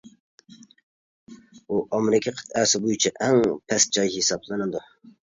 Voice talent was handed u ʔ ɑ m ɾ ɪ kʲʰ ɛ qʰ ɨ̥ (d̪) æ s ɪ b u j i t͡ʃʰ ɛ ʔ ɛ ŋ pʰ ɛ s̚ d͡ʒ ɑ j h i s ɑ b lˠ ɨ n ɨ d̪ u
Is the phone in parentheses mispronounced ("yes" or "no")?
yes